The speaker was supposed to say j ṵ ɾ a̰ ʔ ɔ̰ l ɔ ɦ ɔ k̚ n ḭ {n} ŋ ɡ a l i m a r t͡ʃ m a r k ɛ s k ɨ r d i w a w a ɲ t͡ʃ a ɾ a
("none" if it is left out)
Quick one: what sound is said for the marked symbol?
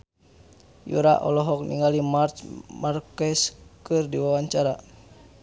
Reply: none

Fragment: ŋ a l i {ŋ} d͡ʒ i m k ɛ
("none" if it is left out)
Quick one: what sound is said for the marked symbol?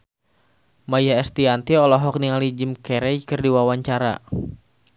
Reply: none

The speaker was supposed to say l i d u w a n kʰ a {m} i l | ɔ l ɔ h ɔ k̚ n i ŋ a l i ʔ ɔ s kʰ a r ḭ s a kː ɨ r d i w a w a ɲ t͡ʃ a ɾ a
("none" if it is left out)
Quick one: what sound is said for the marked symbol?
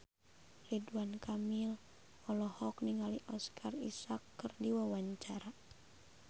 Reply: m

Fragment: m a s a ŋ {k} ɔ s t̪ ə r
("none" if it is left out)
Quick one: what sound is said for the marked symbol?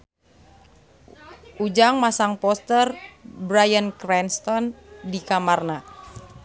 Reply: p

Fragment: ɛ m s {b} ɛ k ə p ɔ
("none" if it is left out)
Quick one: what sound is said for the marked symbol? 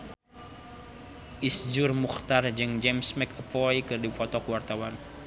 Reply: m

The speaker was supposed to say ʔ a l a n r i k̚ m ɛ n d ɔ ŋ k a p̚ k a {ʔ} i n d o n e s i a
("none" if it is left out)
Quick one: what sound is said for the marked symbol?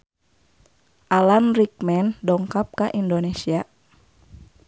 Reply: ʔ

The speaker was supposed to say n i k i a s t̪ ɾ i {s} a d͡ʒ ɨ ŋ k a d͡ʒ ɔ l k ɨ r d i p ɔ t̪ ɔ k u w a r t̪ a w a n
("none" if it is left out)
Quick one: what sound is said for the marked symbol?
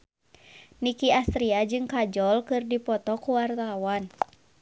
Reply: none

